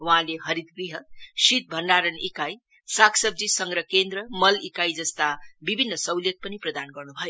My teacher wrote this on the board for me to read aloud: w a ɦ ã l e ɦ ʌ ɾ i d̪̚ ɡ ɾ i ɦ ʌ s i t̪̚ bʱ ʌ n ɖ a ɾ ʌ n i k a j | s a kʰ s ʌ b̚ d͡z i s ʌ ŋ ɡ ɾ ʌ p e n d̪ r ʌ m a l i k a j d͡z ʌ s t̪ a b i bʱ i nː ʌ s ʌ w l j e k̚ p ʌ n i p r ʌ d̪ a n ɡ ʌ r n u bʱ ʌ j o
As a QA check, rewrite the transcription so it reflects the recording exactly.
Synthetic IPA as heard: w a ɦ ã l e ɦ ʌ ɾ i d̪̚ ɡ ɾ i ɦ ʌ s i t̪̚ bʱ ʌ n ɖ a ɾ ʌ n i k a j | s a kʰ s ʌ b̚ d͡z i s ʌ ŋ ɡ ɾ ʌ k e n d̪ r ʌ m ʌ l i k a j d͡z ʌ s t̪ a b i bʱ i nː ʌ s ʌ w l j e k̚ p ʌ n i p r ʌ d̪ a n ɡ ʌ r n u bʱ ʌ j o